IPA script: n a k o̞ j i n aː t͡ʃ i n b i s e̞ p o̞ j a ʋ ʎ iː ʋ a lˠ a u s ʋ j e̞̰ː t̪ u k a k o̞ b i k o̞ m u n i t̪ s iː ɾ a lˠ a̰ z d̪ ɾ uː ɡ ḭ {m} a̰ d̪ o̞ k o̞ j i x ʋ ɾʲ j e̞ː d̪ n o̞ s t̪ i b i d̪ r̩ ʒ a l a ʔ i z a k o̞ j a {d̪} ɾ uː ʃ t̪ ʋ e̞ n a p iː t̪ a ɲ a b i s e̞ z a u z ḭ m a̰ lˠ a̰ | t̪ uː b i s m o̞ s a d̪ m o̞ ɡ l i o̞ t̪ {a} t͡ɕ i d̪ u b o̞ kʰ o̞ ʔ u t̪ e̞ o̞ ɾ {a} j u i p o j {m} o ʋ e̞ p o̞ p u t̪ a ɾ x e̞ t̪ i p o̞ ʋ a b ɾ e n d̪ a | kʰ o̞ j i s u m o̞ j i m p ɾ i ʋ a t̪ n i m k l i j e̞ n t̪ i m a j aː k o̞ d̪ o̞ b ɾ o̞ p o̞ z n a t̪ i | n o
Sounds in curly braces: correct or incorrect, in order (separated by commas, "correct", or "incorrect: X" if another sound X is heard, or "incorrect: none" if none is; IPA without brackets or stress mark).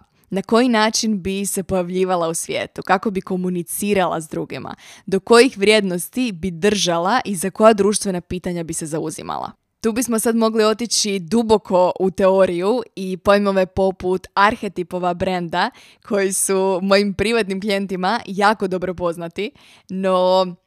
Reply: correct, correct, incorrect: i, incorrect: i, correct